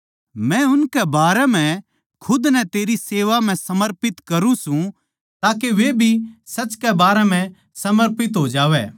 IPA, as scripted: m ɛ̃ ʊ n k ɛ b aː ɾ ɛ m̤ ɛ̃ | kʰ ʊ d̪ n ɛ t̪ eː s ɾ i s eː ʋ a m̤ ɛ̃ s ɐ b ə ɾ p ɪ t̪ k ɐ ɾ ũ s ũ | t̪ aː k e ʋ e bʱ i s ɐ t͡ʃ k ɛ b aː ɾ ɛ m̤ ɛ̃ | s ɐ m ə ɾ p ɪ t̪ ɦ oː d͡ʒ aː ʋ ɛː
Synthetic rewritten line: m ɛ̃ ʊ n k ɛ b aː ɾ ɛ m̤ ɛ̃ | kʰ ʊ d̪ n ɛ t̪ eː ɾ i s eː ʋ a m̤ ɛ̃ s ɐ m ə ɾ p ɪ t̪ k ɐ ɾ ũ s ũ | t̪ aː k e ʋ e bʱ i s ɐ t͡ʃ k ɛ b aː ɾ ɛ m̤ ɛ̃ | s ɐ m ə ɾ p ɪ t̪ ɦ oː d͡ʒ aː ʋ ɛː